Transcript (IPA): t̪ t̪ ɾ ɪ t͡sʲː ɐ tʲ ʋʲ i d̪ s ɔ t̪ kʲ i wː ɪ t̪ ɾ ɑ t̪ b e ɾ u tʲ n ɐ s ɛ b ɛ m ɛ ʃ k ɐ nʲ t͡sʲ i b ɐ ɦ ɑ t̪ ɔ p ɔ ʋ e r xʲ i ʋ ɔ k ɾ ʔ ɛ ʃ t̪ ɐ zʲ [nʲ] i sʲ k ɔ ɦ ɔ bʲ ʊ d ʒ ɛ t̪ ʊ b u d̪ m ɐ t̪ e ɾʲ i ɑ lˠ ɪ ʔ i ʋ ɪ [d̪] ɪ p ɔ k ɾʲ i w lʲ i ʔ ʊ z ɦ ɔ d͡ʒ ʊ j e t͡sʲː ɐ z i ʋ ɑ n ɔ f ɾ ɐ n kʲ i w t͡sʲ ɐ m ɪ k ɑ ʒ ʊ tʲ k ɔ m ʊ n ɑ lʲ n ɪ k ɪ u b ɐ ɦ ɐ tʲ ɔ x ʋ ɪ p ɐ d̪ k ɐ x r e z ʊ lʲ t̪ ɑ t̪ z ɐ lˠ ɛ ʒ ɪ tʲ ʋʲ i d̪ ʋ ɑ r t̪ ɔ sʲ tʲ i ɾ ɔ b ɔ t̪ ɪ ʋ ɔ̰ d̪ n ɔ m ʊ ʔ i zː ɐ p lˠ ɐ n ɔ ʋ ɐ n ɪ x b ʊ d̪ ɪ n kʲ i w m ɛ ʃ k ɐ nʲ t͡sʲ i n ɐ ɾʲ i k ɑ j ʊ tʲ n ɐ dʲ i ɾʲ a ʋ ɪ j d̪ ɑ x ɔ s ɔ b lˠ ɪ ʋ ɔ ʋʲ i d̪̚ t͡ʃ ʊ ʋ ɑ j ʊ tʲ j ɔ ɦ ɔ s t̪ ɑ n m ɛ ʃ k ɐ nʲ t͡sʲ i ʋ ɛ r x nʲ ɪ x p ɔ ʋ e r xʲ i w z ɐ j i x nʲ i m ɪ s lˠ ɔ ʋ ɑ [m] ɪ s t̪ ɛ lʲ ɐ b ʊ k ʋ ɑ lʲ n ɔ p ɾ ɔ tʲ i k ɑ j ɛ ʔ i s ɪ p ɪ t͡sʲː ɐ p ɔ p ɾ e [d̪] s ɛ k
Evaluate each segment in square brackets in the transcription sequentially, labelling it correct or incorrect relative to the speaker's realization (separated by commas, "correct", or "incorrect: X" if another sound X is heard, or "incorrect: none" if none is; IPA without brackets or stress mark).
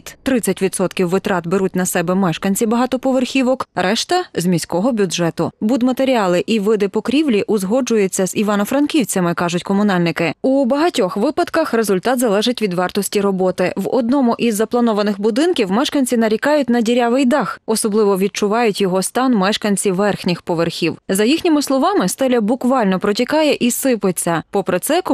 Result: incorrect: mʲ, correct, correct, incorrect: t̪